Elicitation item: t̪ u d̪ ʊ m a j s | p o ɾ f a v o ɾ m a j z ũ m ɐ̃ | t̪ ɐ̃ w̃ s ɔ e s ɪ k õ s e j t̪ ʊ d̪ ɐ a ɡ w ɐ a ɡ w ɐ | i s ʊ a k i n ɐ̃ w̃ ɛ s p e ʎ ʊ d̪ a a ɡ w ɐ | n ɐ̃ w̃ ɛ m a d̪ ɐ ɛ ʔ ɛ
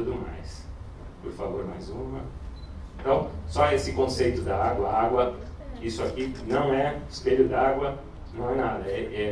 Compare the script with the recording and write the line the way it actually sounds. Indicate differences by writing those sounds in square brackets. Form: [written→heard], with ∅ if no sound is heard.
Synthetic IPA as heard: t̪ u d̪ ʊ m a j s | p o ɾ f a v o ɾ m a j z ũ m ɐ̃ | t̪ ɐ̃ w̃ s ɔ e s ɪ k õ s e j t̪ ʊ d̪ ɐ a ɡ w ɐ a ɡ w ɐ | i s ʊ a k i n ɐ̃ w̃ ɛ s p e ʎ ʊ d̪ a a ɡ w ɐ | n ɐ̃ w̃ ɛ [m→n] a d̪ ɐ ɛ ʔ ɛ